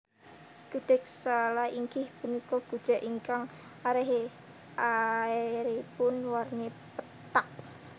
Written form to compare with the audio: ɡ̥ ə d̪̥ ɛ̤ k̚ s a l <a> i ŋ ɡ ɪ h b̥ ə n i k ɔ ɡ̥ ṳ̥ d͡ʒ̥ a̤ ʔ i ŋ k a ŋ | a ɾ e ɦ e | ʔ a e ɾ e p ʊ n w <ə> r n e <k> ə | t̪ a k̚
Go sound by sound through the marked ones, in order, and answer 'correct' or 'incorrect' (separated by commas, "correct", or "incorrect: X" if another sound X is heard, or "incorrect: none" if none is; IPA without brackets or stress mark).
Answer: correct, incorrect: a, incorrect: p